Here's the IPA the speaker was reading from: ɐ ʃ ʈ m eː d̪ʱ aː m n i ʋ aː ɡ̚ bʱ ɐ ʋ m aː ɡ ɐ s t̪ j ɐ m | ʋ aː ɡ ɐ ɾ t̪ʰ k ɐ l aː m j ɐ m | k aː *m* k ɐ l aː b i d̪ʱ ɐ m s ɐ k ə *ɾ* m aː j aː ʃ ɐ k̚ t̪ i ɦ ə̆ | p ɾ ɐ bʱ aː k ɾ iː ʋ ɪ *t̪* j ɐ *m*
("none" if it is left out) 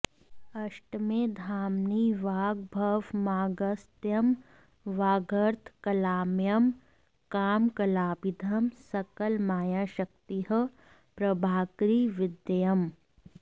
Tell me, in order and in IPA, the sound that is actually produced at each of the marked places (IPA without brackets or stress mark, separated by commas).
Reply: m, l, d̪, m